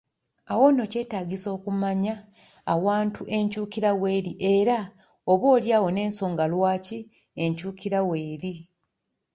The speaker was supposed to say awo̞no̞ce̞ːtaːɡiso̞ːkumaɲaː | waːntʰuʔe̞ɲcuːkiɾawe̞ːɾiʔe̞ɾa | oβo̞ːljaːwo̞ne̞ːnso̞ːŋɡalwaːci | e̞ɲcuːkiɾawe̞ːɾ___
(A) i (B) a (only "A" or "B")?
A